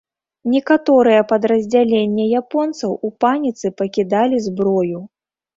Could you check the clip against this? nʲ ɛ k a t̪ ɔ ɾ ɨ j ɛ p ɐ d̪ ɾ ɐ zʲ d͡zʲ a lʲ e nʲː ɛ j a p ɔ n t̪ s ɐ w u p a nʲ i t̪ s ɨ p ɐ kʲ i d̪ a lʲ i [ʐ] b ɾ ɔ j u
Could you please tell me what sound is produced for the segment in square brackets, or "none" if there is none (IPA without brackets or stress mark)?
z